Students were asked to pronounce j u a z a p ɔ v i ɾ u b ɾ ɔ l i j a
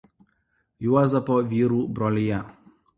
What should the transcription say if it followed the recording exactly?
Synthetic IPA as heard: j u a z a p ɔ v i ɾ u b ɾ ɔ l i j a